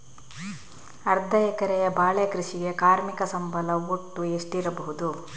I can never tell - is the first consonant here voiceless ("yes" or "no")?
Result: no